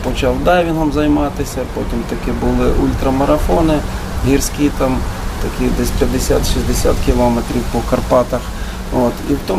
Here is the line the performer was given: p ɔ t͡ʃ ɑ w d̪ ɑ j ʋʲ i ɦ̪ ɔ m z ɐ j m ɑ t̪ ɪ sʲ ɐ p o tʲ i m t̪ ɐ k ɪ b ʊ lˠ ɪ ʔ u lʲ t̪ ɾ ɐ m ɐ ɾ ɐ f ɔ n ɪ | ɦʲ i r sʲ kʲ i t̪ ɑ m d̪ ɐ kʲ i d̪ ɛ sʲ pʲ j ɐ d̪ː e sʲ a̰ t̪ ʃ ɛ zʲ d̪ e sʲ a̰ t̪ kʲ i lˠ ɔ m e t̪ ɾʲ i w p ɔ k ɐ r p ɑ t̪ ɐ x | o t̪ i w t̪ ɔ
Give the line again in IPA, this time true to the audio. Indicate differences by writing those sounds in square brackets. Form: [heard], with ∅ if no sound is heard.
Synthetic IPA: p ɔ t͡ʃ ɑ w d̪ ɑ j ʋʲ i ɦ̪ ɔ m z ɐ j m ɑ t̪ ɪ sʲ ɐ p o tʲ i m t̪ ɐ k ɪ b ʊ lˠ ɪ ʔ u lʲ t̪ ɾ ɐ m ɐ ɾ ɐ f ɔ n ɪ | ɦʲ i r sʲ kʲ i t̪ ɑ m [t̪] ɐ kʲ i d̪ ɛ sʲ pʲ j ɐ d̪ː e sʲ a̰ t̪ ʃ [i] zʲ d̪ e sʲ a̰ t̪ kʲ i lˠ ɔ m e t̪ ɾʲ i w p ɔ k ɐ r p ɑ t̪ ɐ x | o t̪ i w t̪ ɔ